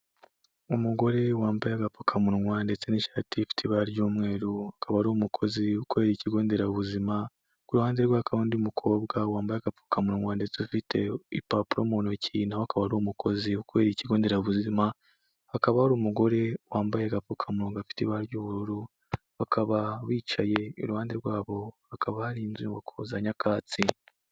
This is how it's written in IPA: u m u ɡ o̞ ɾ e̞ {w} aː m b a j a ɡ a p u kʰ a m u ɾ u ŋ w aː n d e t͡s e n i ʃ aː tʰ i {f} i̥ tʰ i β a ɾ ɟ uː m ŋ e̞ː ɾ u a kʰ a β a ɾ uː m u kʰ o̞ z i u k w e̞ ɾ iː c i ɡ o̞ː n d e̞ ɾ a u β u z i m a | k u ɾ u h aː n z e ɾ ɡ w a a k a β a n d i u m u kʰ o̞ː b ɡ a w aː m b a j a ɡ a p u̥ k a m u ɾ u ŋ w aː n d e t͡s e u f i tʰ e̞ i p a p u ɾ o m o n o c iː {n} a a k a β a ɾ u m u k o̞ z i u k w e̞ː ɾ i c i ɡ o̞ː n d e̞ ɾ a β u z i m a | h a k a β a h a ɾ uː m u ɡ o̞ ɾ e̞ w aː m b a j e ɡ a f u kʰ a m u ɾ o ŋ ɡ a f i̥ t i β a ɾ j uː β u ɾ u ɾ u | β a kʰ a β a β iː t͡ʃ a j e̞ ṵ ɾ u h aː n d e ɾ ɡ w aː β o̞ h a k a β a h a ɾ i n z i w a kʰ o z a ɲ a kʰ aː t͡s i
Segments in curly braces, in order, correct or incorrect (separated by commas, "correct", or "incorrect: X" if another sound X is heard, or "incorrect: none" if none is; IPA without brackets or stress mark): correct, correct, correct